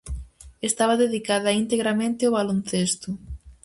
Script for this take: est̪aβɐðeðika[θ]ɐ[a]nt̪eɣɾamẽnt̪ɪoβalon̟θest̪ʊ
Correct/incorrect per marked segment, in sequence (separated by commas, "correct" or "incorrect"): incorrect, incorrect